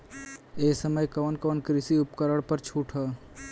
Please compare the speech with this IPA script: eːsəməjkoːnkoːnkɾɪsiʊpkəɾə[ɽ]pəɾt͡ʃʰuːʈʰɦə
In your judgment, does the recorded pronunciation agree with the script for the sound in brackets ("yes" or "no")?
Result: yes